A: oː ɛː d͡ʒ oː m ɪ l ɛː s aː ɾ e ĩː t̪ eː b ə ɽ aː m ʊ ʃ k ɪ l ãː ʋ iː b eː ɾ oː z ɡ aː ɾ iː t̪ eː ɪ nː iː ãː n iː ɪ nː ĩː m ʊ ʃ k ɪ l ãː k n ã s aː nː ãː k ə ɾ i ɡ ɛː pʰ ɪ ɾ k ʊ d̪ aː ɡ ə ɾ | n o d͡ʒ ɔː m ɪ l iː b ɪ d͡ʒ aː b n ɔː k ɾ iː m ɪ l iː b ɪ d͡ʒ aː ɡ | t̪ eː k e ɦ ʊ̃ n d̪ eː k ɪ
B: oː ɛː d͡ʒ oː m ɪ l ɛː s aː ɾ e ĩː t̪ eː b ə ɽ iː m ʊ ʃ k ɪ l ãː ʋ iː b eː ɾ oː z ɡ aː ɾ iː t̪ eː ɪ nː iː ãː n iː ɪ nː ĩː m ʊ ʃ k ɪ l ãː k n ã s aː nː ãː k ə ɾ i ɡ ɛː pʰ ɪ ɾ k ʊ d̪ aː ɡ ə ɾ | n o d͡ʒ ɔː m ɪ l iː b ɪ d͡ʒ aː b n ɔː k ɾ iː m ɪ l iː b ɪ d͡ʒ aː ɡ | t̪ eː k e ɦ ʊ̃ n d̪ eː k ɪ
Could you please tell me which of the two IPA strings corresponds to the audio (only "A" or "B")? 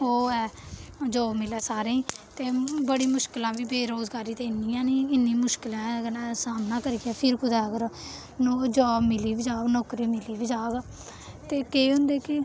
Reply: B